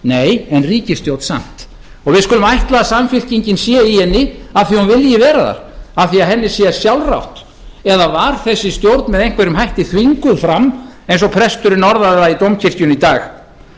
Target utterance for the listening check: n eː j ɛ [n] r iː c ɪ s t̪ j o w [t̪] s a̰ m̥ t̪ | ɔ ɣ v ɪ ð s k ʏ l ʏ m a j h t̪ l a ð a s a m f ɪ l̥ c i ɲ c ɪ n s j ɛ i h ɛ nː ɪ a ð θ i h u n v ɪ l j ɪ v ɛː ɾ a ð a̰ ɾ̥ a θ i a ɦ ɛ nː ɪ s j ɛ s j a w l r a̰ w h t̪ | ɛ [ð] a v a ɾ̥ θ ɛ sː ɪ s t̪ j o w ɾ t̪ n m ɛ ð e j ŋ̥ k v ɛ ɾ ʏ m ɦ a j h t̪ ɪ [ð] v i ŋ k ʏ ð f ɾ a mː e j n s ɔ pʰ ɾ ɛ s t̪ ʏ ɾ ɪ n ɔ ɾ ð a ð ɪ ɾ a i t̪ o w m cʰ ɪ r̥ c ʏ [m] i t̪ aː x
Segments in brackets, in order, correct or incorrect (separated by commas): correct, correct, correct, incorrect, incorrect